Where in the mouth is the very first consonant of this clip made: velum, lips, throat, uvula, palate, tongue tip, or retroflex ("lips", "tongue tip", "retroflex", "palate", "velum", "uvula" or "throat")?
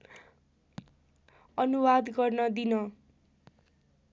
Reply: tongue tip